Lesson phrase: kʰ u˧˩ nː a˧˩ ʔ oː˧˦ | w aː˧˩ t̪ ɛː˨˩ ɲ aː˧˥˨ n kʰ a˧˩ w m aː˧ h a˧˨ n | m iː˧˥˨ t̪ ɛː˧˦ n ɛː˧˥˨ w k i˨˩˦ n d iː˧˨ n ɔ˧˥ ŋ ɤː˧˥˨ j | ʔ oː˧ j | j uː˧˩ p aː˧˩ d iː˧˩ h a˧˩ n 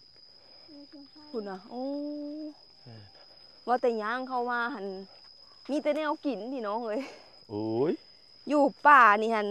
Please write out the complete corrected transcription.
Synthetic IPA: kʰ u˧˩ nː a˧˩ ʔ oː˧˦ | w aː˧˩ t̪ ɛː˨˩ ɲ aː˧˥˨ ŋ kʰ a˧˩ w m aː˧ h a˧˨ n | m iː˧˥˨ t̪ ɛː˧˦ n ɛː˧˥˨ w k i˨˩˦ n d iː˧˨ n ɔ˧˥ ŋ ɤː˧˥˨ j | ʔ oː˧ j | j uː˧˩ p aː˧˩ n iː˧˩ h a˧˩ n